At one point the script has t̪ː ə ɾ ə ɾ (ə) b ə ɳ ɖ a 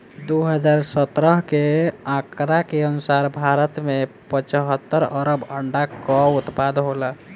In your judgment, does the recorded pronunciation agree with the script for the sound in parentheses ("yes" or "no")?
yes